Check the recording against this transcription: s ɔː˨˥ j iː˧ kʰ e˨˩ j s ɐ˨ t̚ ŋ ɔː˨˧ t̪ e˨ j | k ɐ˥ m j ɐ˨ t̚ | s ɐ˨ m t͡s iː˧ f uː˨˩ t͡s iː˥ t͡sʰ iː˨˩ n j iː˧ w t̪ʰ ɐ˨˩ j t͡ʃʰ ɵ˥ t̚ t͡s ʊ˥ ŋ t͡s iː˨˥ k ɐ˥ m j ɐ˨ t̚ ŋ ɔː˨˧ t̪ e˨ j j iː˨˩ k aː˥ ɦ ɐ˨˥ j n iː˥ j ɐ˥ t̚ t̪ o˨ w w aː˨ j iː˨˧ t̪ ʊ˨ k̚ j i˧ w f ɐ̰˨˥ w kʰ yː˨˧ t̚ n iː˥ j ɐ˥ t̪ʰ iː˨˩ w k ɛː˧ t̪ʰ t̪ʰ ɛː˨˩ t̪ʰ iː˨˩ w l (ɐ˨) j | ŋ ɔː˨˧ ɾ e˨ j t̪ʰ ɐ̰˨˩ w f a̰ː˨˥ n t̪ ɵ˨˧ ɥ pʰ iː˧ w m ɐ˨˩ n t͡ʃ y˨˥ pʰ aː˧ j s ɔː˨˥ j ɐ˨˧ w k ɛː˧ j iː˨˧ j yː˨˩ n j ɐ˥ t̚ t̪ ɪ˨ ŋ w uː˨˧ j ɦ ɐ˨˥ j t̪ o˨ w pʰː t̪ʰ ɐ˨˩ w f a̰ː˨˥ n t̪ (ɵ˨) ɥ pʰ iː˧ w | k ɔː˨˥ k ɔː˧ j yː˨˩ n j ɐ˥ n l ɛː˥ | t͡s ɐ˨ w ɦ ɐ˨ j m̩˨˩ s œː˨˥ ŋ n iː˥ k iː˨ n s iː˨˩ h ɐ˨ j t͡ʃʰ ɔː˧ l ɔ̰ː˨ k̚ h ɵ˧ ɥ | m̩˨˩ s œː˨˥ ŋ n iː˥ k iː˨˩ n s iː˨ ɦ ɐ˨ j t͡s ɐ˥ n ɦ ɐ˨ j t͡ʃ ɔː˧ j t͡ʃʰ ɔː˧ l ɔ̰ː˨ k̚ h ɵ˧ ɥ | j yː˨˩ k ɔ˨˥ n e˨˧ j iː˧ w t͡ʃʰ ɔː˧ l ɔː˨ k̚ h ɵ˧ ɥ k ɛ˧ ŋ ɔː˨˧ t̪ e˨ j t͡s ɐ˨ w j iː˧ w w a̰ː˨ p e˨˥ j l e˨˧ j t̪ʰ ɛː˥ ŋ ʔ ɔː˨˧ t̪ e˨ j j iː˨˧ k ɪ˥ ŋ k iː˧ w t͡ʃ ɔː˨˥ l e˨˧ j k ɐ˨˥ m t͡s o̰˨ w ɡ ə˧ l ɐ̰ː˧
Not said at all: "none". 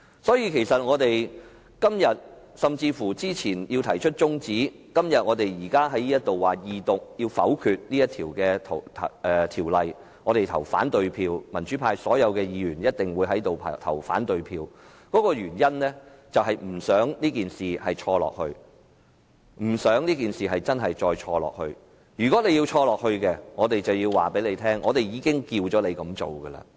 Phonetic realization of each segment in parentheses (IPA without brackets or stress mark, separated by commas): ɐ˨, ɵ˨